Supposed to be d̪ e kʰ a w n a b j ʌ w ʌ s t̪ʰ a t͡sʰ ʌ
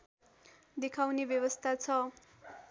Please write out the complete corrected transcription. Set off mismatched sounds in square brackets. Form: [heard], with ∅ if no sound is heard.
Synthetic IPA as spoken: d̪ e kʰ a w n [e] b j ʌ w ʌ s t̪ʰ a t͡sʰ ʌ